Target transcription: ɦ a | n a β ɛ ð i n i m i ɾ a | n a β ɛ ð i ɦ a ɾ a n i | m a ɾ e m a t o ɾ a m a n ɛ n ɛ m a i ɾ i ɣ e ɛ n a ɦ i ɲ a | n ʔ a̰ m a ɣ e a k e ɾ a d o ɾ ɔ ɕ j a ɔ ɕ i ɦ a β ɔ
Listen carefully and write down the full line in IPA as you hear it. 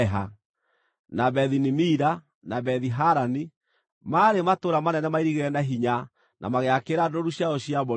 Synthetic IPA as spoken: ɦ a | n a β ɛ ð i n i m i ɾ a | n a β ɛ ð i ɦ a ɾ a n i | m a ɾ e m a t o ɾ a m a n ɛ n ɛ m a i ɾ i ɣ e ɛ n a ɦ i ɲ a | n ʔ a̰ m a ɣ e a k e ɾ a d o ɾ u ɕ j a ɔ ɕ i a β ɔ